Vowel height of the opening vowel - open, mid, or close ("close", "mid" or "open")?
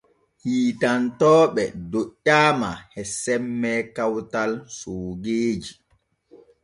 close